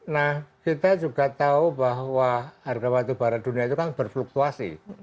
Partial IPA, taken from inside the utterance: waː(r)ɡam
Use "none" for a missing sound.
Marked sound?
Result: r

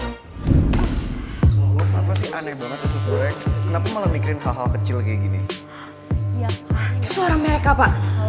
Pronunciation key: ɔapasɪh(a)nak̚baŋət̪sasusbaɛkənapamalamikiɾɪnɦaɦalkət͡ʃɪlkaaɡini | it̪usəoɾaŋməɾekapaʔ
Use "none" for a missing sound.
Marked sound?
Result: a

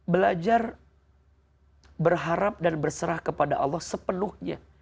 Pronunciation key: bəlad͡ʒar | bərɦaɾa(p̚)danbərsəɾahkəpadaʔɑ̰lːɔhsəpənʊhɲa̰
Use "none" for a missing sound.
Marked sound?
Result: p̚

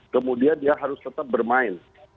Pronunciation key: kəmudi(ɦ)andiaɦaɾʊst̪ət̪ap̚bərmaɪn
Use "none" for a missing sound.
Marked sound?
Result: none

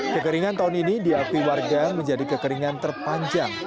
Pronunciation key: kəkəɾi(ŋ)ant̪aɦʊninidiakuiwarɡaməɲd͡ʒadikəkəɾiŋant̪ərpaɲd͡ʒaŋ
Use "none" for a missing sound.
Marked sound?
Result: ŋ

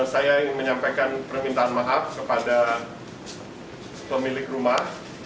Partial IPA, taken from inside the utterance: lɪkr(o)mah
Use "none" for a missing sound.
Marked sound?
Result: u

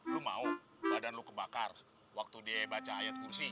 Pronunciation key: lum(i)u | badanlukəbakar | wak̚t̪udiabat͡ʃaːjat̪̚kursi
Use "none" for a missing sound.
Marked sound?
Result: a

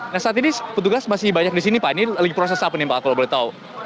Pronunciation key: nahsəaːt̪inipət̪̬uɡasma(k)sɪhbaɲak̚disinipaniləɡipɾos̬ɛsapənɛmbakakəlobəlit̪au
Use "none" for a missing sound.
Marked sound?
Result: none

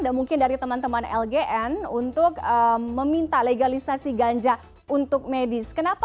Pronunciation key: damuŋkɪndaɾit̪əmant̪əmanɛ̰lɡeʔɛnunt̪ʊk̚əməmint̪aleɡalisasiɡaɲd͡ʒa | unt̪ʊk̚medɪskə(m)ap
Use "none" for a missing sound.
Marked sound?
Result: n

